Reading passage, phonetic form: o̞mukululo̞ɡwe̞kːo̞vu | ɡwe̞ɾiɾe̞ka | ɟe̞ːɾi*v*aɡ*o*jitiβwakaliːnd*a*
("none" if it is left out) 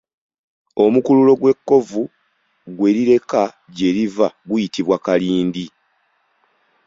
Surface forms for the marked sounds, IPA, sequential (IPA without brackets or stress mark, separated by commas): v, u, i